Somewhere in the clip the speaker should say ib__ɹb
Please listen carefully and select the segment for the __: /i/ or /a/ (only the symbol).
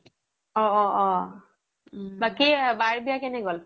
a